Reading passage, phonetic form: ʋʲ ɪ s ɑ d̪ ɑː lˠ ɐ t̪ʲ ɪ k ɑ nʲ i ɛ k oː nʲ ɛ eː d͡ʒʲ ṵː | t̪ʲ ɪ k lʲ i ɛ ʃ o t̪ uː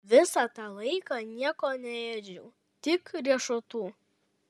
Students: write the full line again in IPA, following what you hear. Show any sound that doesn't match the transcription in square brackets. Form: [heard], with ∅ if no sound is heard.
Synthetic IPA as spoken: ʋʲ ɪ s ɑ [t̪] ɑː lˠ ɐ [∅] ɪ k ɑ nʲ i ɛ k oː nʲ ɛ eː d͡ʒʲ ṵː | t̪ʲ ɪ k [ɾʲ] i ɛ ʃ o t̪ uː